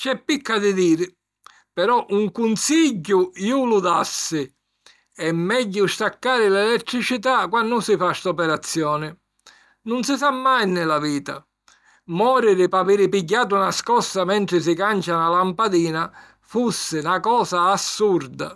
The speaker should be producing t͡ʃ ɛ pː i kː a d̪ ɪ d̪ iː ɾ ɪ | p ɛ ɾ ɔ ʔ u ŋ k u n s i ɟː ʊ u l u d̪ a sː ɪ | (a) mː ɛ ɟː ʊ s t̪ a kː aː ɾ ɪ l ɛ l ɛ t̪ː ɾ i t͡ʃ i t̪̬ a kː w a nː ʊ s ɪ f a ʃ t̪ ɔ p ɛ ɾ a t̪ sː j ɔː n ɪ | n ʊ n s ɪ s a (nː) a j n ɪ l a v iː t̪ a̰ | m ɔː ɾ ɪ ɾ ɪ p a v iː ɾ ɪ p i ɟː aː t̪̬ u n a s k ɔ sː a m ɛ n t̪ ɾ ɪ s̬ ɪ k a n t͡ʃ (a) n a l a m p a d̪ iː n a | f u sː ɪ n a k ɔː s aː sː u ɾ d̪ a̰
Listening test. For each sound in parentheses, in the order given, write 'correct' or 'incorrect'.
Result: incorrect: ɛ, incorrect: mː, correct

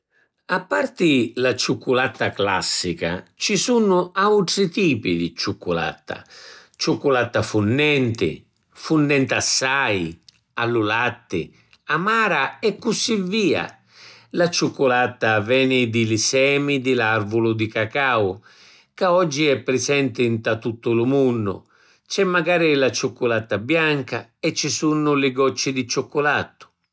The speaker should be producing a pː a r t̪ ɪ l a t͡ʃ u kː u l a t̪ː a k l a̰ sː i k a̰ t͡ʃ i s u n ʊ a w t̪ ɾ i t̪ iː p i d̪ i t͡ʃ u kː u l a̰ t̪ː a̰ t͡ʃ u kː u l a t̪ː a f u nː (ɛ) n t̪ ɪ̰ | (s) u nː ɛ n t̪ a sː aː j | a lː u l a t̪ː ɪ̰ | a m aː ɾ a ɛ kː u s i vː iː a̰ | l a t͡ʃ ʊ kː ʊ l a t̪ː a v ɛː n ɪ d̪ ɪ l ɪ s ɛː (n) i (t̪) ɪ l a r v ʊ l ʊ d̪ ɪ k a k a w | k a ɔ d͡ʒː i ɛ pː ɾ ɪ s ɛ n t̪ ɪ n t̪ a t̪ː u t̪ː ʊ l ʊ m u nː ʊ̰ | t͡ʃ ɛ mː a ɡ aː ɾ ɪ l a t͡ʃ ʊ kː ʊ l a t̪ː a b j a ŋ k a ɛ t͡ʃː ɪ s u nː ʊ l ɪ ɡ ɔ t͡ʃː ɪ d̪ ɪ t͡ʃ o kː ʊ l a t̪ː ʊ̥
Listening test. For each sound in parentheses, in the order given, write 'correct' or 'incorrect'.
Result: correct, incorrect: f, incorrect: m, incorrect: d̪

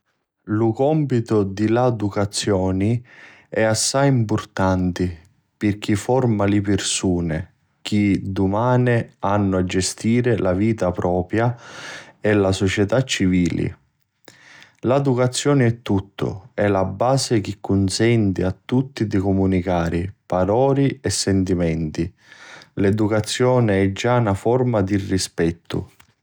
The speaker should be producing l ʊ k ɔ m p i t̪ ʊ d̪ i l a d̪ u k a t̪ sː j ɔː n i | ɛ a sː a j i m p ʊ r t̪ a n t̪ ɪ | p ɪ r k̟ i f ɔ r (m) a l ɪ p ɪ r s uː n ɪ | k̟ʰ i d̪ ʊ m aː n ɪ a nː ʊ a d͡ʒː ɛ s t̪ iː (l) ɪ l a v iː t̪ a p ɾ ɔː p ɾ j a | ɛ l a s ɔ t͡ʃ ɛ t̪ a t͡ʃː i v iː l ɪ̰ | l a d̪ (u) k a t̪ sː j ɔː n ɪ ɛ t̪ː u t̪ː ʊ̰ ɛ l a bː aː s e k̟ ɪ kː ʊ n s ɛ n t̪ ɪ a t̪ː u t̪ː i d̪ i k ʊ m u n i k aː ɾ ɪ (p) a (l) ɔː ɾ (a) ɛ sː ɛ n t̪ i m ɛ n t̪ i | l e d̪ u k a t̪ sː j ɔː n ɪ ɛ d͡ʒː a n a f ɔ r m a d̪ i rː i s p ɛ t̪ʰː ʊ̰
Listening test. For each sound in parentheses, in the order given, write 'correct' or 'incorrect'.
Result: correct, incorrect: ɾ, correct, correct, incorrect: ɾ, incorrect: i

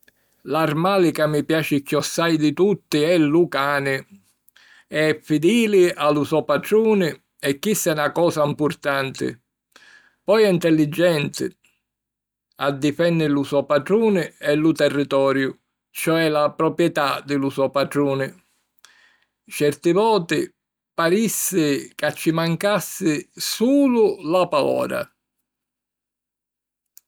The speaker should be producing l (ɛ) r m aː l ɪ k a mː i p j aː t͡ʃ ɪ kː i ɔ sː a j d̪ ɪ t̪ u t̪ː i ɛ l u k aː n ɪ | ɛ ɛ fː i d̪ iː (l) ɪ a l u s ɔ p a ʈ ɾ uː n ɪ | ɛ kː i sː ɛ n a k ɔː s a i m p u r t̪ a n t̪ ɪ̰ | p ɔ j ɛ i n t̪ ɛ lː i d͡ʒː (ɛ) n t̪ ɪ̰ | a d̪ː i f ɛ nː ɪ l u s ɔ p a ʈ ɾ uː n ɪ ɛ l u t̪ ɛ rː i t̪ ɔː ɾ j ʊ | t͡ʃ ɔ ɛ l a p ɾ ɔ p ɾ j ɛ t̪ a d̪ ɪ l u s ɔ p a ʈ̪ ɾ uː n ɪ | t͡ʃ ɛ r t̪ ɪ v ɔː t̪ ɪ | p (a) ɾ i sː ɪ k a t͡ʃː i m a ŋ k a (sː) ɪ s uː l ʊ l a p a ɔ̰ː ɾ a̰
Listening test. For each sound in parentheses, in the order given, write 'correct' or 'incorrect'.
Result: incorrect: a, correct, correct, correct, correct

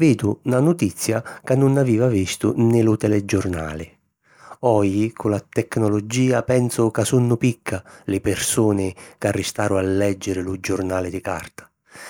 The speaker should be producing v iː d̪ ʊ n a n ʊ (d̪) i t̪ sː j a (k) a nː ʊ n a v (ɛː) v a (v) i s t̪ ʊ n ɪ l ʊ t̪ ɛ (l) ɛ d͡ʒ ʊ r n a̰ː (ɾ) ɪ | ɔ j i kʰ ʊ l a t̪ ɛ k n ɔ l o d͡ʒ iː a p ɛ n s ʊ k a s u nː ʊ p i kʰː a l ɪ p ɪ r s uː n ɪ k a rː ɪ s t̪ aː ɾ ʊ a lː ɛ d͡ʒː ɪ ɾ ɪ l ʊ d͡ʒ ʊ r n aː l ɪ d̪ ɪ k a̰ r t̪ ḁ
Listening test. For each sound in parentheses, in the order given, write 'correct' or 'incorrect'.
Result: incorrect: t̪, correct, incorrect: iː, correct, correct, incorrect: l

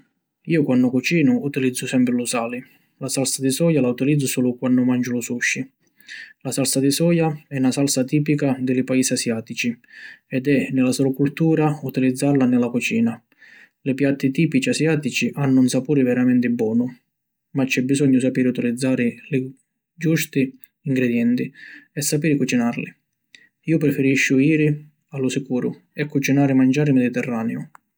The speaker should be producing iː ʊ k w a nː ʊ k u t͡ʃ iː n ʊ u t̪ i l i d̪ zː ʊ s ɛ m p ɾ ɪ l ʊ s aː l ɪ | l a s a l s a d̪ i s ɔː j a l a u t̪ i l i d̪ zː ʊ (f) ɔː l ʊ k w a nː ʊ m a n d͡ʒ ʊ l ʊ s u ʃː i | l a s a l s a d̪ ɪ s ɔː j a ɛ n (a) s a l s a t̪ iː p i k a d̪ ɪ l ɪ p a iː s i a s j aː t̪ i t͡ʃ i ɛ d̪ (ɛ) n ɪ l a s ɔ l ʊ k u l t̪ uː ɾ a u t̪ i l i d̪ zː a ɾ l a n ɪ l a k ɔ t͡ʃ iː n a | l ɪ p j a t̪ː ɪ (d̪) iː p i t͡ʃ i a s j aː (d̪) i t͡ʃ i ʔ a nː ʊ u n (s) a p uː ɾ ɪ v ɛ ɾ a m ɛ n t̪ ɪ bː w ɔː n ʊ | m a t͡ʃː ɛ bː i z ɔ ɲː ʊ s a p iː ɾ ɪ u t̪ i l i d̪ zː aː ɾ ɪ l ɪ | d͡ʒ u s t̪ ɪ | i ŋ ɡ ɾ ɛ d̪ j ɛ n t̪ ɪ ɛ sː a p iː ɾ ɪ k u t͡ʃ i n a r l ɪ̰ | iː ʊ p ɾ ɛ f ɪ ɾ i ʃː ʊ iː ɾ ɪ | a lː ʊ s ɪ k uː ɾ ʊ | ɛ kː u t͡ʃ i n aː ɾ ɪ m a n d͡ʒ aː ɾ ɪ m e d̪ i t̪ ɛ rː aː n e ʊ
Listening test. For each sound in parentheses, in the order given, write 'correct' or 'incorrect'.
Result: incorrect: s, correct, correct, incorrect: t̪, incorrect: t̪, correct

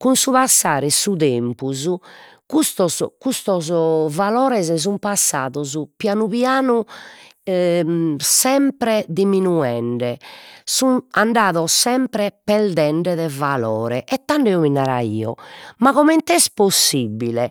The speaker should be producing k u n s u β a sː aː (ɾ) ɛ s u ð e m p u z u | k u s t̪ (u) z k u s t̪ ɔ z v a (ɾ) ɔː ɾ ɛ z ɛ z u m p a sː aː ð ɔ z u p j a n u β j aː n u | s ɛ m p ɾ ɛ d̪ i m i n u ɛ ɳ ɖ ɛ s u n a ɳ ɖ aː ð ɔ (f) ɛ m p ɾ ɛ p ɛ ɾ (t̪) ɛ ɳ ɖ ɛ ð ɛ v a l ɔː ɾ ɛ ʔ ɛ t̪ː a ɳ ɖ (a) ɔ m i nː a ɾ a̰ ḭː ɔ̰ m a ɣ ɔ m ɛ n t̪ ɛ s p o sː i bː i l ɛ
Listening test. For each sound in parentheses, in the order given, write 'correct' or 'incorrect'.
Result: correct, incorrect: ɔ, incorrect: l, incorrect: s, incorrect: d̪, incorrect: ɛ

